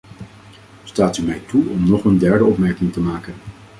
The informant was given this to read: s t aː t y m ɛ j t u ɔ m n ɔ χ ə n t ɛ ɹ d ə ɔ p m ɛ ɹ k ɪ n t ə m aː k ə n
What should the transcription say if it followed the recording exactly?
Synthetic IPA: s t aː t y m ɛ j t u ɔ m n ɔ χ ə n d ɛ ɹ d ə ɔ p m ɛ ɹ k ɪ ŋ t ə m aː k ə n